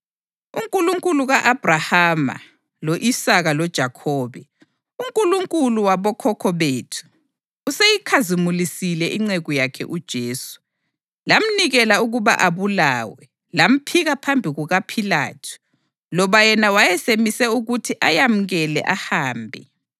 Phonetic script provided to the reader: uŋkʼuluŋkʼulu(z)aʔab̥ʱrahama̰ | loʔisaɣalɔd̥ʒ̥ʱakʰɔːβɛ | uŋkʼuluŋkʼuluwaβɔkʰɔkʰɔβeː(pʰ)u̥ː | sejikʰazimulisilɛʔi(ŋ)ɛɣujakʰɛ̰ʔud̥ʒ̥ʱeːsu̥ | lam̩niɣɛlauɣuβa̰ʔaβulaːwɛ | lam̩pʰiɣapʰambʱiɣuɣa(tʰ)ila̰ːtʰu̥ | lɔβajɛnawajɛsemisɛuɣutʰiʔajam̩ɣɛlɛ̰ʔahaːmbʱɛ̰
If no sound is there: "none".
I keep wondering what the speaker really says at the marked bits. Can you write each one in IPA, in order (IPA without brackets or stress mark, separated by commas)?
ɣ, tʰ, ŋ͡ǀ, pʰ